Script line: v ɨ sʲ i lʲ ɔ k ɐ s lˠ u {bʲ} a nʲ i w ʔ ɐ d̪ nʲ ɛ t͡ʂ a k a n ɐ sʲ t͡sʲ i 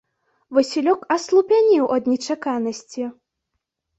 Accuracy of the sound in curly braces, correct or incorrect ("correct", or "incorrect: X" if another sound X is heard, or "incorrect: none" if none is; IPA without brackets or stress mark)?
incorrect: pʲ